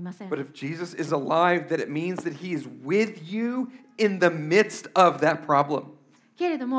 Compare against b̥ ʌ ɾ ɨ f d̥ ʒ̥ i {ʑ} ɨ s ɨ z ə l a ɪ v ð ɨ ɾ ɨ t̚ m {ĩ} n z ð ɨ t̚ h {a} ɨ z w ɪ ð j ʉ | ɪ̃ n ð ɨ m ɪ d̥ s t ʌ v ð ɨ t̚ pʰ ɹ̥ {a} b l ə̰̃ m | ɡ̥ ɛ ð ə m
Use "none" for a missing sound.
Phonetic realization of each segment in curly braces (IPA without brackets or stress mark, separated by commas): z, ĩ, i, ɑ